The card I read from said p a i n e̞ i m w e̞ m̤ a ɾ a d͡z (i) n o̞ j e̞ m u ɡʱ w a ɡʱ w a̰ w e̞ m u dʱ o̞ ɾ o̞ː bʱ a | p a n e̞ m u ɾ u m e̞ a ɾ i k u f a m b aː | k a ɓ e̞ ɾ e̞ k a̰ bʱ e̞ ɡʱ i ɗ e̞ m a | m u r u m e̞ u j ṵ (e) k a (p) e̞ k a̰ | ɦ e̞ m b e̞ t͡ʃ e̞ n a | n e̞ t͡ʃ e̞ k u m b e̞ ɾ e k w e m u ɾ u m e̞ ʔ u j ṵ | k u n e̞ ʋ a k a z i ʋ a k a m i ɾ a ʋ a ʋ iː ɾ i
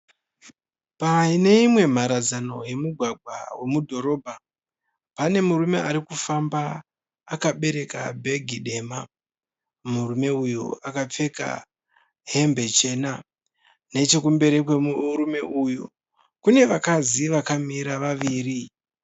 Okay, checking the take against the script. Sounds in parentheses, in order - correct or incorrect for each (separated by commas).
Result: incorrect, incorrect, incorrect